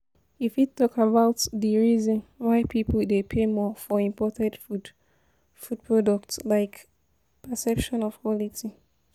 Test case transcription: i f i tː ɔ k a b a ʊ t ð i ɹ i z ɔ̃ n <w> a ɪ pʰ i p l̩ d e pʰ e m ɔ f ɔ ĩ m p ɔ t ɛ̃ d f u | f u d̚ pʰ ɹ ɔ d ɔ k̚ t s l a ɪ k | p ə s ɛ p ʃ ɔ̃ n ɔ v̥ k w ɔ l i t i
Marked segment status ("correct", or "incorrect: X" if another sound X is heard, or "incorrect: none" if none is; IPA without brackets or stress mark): correct